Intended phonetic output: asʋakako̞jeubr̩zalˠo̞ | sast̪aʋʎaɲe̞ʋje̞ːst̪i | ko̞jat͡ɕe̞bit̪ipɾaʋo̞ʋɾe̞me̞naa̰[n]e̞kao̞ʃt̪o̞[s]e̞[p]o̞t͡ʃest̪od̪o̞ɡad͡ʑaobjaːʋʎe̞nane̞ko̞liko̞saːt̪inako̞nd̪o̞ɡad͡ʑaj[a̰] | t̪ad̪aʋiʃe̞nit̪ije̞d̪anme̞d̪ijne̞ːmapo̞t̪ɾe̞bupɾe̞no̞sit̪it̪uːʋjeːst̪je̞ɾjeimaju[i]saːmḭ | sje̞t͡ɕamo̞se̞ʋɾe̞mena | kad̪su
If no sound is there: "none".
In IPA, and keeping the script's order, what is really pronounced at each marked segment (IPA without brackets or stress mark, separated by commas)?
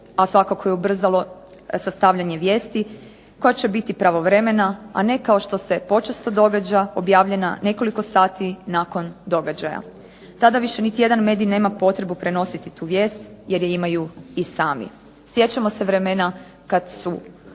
n, s, p, a̰, i